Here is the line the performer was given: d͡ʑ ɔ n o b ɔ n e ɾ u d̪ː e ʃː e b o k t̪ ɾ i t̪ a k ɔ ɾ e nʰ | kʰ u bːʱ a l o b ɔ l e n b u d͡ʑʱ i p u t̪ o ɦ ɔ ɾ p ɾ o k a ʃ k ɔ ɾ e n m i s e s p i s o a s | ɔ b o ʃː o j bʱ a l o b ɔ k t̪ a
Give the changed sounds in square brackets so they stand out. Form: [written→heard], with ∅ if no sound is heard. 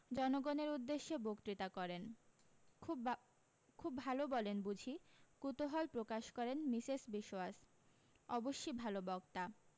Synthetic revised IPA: d͡ʑ ɔ n o [b→ɡ] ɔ n e ɾ u d̪ː e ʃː e b o k t̪ ɾ i t̪ a k ɔ ɾ e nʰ | kʰ u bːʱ a l o b ɔ l e n b u d͡ʑʱ i [p→k] u t̪ o ɦ ɔ [ɾ→l] p ɾ o k a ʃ k ɔ ɾ e n m i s e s [p→b] i [s→ʃ] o a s | ɔ b o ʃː o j bʱ a l o b ɔ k t̪ a